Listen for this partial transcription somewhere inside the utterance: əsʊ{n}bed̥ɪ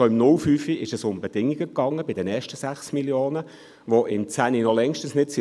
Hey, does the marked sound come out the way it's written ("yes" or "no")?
no